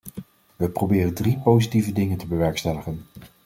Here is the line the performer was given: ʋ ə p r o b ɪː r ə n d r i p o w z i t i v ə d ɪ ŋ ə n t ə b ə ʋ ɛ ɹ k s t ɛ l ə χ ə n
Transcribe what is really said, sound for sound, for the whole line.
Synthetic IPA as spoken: ʋ ə p r o b ɪː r ə n d r i p o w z i t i v ə d ɪ ŋ ə n t ə b ə ʋ ɛ ɹ k s t ɛ l ə χ ə n